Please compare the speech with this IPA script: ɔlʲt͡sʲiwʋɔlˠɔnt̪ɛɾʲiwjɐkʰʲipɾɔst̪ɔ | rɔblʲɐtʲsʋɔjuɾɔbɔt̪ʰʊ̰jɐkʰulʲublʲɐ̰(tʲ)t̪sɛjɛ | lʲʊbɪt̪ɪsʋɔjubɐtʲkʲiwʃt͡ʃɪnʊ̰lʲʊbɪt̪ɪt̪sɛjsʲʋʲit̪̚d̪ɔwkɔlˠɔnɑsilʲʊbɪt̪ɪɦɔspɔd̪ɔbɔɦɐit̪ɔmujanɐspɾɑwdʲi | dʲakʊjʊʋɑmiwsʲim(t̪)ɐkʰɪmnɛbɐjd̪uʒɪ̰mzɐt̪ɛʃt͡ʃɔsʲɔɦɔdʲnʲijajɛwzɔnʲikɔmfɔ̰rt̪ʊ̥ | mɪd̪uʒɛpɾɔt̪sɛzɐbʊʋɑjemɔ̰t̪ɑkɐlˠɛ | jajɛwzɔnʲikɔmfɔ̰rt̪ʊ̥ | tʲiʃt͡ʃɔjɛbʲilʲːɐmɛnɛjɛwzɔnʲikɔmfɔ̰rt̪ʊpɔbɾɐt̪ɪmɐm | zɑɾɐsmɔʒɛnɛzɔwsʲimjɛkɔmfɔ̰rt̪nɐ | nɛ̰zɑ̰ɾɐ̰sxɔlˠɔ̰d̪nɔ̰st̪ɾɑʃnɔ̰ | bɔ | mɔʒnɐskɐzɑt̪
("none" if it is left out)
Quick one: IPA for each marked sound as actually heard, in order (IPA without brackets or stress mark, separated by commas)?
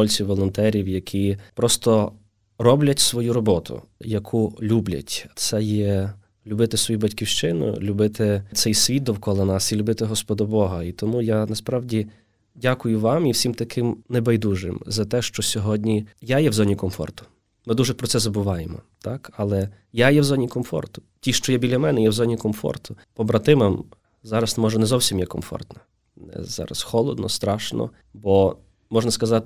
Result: tʲ, t̪